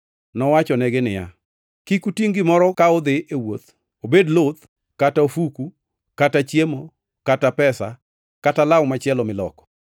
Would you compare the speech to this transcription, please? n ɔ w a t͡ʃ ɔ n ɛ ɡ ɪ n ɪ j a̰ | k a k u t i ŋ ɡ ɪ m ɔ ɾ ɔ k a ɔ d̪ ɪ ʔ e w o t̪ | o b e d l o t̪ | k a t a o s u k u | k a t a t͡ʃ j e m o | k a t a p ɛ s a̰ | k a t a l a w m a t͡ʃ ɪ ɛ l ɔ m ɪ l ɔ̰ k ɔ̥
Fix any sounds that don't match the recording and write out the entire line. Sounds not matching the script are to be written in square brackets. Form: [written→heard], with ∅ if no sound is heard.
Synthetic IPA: n ɔ w a t͡ʃ ɔ n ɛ ɡ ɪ n ɪ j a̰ | k [a→i] k u t i ŋ ɡ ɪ m ɔ ɾ ɔ k a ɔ d̪ ɪ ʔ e w o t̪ | o b e d l o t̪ | k a t a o [s→f] u k u | k a t a t͡ʃ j e m o | k a t a p ɛ s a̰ | k a t a l a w m a t͡ʃ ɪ ɛ l ɔ m ɪ l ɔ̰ k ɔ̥